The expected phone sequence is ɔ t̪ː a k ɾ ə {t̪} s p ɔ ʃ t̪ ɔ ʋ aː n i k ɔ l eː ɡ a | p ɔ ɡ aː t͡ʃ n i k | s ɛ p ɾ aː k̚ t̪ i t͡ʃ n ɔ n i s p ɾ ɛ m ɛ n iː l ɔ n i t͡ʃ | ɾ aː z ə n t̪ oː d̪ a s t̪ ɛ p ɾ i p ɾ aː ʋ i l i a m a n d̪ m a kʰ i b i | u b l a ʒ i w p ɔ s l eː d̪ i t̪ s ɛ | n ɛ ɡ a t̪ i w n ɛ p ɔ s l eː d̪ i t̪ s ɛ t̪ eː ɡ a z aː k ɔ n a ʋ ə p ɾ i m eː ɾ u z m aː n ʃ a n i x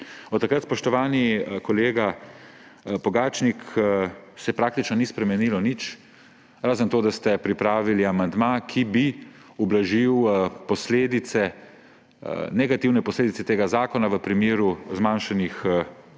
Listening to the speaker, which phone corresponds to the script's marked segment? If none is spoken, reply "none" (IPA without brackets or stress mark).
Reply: t̪